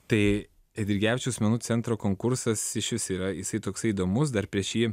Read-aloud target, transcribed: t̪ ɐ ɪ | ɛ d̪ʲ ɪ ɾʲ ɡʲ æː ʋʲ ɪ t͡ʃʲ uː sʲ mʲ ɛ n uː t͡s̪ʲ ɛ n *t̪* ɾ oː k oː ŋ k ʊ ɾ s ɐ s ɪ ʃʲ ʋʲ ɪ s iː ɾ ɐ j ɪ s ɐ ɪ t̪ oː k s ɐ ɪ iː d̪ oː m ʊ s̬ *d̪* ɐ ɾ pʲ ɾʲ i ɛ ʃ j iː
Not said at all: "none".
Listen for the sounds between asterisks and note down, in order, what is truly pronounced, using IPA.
t̪, d̪

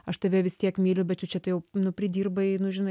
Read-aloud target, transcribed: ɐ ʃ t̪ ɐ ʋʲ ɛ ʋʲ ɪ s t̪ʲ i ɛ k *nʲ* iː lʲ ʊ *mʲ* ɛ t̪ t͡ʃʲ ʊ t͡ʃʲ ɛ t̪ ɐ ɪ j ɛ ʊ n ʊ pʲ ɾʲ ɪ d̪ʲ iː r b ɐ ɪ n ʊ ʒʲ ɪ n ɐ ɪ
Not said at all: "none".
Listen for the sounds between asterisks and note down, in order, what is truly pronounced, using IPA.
mʲ, bʲ

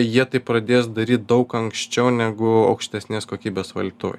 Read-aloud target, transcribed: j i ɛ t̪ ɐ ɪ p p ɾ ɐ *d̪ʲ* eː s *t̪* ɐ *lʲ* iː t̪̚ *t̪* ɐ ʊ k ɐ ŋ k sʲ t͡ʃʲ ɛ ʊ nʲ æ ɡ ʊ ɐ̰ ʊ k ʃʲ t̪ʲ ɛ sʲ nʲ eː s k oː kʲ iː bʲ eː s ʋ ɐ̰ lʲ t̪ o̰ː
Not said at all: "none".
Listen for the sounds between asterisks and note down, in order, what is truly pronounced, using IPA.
d̪ʲ, d̪, ɾʲ, d̪

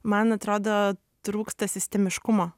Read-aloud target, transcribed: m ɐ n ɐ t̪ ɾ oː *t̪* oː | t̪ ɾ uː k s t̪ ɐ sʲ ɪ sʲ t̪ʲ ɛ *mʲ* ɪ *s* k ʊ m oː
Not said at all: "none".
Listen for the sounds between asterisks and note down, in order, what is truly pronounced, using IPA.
d̪, mʲ, ʃ

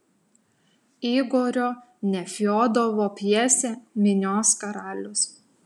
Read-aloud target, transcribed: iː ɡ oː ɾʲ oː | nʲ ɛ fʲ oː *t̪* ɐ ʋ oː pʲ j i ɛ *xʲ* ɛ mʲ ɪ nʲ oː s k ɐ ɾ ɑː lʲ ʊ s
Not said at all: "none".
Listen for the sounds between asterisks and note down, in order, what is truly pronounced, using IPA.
d̪, sʲ

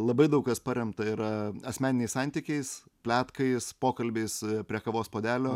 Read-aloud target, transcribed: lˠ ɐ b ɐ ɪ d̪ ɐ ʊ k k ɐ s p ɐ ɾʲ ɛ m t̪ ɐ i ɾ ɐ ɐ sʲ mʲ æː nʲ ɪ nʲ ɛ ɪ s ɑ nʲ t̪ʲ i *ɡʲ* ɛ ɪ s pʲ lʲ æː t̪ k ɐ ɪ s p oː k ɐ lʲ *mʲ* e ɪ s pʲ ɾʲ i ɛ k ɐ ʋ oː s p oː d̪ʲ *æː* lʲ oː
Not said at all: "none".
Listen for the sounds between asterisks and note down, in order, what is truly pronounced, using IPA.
kʲ, bʲ, æː

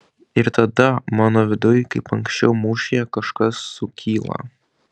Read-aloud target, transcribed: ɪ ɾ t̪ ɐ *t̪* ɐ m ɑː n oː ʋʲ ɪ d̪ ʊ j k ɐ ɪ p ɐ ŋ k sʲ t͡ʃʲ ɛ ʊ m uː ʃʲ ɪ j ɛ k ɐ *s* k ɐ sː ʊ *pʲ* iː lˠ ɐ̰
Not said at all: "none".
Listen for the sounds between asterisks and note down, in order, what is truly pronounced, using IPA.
d̪, ʃ, kʲ

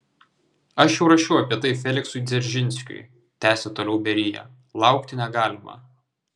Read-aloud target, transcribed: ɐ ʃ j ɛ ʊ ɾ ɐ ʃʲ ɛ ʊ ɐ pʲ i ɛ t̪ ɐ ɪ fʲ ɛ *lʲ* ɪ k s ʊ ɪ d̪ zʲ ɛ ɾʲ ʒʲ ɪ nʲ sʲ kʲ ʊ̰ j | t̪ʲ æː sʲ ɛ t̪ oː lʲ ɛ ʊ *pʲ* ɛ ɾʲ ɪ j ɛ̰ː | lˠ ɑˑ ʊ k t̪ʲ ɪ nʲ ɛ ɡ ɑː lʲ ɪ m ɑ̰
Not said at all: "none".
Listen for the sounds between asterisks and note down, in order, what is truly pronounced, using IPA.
lʲ, bʲ

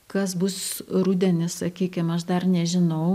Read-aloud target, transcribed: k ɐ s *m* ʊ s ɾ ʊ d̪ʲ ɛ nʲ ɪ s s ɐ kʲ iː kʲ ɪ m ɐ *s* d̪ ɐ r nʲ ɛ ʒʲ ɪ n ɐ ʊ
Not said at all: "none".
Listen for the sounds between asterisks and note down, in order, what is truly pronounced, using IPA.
b, ʃ

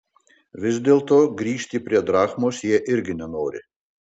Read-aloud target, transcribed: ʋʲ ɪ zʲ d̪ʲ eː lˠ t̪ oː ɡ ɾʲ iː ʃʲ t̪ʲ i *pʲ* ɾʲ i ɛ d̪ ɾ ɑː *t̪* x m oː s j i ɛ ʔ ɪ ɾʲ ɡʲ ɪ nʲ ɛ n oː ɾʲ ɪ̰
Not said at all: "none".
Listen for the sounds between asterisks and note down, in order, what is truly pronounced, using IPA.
pʲ, none

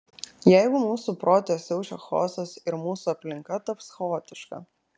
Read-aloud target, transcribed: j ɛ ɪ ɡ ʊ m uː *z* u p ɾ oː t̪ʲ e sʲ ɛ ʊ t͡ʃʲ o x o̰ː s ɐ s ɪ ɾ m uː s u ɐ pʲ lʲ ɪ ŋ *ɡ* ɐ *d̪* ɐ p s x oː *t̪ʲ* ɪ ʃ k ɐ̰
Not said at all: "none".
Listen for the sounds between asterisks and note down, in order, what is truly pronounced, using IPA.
s, k, t̪, t̪ʲ

